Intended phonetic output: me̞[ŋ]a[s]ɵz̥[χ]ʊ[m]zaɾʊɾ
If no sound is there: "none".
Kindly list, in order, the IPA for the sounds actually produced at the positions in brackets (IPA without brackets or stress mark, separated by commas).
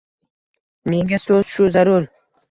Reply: ŋ, s, ʃ, none